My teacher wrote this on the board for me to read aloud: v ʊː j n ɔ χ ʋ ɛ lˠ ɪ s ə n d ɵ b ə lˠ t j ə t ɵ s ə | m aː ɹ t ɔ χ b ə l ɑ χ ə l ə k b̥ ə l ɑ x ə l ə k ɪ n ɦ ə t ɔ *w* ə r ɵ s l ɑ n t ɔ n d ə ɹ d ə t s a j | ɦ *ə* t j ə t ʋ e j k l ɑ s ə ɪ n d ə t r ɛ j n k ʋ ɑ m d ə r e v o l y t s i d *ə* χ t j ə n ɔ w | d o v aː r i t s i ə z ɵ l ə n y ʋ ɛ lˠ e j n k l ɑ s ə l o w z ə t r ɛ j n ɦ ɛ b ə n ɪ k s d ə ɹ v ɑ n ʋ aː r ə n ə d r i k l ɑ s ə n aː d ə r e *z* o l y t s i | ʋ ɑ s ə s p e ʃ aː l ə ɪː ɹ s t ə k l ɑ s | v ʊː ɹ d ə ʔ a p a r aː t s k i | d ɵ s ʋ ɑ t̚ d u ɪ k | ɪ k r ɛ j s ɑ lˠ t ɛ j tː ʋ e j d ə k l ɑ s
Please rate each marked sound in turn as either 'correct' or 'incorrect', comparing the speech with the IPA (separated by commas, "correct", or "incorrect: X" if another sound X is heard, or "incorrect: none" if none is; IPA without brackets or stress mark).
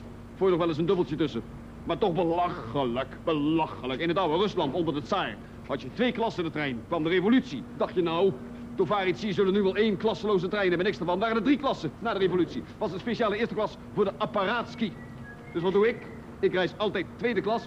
correct, incorrect: ɑ, incorrect: ɑ, incorrect: v